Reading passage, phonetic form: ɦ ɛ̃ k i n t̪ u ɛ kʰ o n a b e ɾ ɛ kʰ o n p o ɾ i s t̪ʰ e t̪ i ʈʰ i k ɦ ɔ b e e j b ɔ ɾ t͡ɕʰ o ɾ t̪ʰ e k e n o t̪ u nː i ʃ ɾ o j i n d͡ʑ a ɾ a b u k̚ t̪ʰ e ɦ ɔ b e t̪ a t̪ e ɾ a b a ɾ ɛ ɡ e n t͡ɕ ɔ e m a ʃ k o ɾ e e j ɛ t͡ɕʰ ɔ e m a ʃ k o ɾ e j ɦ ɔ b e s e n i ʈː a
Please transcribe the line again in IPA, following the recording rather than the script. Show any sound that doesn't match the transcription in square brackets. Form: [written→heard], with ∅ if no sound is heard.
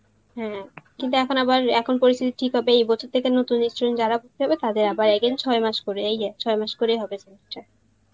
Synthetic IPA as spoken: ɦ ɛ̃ k i n t̪ u ɛ kʰ o n a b [e→a] ɾ ɛ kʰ o n p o ɾ i s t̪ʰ [e→i] t̪ i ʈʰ i k ɦ ɔ b e e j b ɔ [ɾ→∅] t͡ɕʰ o ɾ t̪ʰ e k e n o t̪ u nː i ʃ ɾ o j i n d͡ʑ a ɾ a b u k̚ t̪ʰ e ɦ ɔ b e t̪ a [t̪→d̪] e ɾ a b a ɾ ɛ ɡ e n [t͡ɕ→t͡ɕʰ] ɔ e m a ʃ k o ɾ e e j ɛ t͡ɕʰ ɔ e m a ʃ k o ɾ e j ɦ ɔ b e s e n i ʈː a